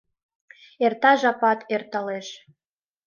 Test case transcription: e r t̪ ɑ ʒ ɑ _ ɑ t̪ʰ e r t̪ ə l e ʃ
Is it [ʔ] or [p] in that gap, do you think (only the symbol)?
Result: p